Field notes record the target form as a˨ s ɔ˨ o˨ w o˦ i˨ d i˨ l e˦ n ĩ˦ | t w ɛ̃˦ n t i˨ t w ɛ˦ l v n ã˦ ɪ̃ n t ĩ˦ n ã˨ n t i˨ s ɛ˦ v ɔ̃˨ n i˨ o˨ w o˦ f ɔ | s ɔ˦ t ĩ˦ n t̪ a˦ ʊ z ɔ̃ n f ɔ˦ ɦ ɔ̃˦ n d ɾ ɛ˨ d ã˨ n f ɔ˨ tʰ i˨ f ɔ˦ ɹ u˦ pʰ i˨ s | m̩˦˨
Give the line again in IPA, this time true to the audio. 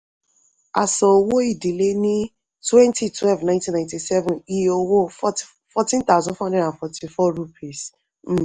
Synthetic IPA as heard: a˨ s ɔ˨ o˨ w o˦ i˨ d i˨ l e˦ n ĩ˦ | t w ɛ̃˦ n t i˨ t w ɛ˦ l v n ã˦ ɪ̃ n t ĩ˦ n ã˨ n t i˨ s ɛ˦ v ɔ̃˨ n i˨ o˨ w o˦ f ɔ | f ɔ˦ t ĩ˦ n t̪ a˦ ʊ z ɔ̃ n f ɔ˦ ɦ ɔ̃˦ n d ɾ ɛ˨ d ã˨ n f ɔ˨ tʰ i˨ f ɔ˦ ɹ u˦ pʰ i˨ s | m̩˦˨

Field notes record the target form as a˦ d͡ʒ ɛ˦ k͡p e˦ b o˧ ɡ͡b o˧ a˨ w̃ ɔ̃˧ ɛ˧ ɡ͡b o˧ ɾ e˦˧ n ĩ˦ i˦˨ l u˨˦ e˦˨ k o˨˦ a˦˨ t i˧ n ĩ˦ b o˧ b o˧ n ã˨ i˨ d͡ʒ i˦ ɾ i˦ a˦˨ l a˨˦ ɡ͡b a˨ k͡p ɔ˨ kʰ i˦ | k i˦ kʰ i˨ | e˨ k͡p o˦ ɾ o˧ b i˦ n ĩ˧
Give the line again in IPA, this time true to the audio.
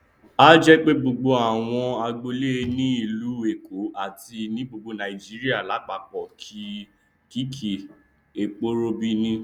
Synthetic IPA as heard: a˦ d͡ʒ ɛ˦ k͡p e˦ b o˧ ɡ͡b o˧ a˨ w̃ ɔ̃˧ a˧ ɡ͡b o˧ l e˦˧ n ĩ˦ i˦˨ l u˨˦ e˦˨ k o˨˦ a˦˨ t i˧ n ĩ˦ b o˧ ɡ͡b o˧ n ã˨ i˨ d͡ʒ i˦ ɾ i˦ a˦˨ l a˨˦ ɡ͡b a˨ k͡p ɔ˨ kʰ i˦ | k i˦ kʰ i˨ | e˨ k͡p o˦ ɾ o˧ b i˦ n ĩ˧

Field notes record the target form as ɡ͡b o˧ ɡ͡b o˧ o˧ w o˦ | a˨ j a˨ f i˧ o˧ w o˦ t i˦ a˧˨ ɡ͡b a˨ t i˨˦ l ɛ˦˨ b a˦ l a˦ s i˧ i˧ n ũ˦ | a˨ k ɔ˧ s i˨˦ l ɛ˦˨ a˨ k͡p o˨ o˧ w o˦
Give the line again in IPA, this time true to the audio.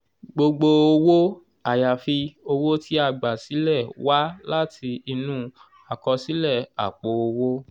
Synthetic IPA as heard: ɡ͡b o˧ ɡ͡b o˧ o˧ w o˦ | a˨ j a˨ f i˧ o˧ w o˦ t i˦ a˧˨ ɡ͡b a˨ s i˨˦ l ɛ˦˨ w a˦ l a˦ t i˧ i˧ n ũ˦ | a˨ k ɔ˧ s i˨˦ l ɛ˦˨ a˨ k͡p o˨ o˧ w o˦

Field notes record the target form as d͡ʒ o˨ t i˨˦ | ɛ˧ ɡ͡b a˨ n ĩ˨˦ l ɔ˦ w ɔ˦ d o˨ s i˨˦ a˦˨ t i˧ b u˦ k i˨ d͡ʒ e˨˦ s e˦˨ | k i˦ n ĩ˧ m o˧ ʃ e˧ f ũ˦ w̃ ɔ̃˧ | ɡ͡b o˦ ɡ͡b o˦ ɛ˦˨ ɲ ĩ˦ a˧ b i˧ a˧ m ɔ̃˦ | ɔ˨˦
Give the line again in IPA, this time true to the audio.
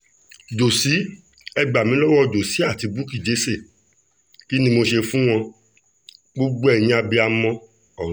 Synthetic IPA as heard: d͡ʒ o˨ s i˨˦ | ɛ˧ ɡ͡b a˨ m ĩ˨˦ l ɔ˦ w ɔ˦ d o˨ s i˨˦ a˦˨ t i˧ b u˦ k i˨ d͡ʒ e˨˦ s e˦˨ | k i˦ n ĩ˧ m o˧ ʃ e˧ f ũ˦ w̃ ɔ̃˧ | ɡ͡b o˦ ɡ͡b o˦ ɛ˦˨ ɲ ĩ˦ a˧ b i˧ a˧ m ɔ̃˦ | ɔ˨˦

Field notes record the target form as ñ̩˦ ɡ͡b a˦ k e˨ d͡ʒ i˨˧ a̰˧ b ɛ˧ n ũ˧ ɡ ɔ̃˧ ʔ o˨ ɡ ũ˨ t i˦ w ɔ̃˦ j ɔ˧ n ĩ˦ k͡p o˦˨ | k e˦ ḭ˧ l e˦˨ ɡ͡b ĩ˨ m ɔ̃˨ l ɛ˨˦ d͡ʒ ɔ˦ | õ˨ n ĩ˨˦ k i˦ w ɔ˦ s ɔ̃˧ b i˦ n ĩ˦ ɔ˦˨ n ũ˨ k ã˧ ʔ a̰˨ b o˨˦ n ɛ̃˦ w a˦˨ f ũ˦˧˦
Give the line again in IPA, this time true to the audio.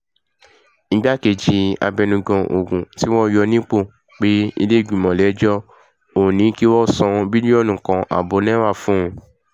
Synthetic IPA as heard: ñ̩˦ ɡ͡b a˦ k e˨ d͡ʒ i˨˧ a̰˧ b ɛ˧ n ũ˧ ɡ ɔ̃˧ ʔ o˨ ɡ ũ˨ t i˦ w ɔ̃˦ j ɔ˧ n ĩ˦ k͡p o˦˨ | k͡p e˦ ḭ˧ l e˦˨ ɡ͡b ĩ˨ m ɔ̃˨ l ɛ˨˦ d͡ʒ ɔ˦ | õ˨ n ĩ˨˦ k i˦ w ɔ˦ s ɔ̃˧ b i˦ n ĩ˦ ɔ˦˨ n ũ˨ k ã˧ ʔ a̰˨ b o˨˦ n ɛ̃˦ w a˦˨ f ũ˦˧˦

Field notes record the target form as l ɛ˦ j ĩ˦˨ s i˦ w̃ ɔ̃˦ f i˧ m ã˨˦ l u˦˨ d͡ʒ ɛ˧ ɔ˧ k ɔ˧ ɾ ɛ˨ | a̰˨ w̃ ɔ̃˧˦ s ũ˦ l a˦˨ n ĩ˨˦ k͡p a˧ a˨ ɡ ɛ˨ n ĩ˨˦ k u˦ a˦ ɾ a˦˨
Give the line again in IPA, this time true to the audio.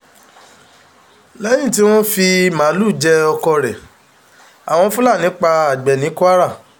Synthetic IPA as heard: l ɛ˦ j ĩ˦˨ t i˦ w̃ ɔ̃˦ f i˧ m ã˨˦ l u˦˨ d͡ʒ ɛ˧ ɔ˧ k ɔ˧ ɾ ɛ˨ | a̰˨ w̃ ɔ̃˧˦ f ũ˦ l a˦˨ n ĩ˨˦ k͡p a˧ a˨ ɡ͡b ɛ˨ n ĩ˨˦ k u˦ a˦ ɾ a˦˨

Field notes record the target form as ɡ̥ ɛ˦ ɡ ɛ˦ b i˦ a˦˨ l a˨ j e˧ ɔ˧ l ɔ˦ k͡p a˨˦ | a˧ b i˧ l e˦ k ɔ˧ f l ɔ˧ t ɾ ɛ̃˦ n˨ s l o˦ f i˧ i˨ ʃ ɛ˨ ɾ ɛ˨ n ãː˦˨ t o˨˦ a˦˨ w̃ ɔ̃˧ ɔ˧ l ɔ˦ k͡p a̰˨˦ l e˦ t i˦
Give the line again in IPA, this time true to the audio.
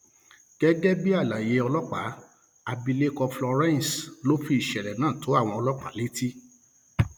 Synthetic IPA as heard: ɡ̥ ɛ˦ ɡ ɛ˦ b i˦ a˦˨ l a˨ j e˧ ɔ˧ l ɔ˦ k͡p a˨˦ | a˧ b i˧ l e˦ k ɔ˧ f l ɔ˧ ɾ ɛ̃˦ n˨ s l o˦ f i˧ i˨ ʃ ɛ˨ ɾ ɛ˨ n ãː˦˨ t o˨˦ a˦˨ w̃ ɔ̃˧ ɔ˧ l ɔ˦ k͡p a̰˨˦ l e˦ t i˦

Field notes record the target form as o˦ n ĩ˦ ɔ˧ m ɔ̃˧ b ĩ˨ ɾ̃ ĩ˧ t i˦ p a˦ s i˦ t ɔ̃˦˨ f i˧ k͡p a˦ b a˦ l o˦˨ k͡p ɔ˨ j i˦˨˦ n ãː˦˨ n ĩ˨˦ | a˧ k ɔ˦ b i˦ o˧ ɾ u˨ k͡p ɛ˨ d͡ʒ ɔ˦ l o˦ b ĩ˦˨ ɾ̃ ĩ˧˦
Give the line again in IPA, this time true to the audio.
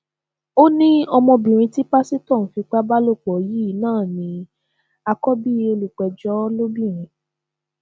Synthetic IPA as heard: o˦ n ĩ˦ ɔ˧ m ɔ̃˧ b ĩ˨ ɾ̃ ĩ˧ t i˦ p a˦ s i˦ t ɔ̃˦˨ f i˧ k͡p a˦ b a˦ l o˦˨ k͡p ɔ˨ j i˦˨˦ n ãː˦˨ n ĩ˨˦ | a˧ k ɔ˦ b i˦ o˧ l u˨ k͡p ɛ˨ d͡ʒ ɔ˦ l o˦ b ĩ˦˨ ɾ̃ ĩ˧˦

